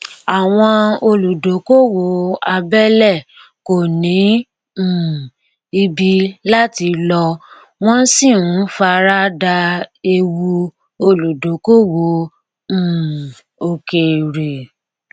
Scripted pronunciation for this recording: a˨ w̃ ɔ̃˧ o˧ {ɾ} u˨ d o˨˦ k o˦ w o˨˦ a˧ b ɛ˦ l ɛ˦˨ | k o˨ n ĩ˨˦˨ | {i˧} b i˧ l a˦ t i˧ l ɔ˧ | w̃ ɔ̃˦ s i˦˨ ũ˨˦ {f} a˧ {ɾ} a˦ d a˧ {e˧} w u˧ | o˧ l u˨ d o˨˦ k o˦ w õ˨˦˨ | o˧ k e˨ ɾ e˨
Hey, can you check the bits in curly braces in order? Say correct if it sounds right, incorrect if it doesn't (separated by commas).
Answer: incorrect, correct, correct, correct, correct